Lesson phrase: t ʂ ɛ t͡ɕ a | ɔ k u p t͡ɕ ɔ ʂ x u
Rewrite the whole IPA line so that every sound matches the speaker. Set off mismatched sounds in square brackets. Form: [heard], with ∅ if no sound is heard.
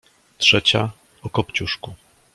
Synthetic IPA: t ʂ ɛ t͡ɕ a | ɔ k [ɔ] p t͡ɕ [u] ʂ [k] u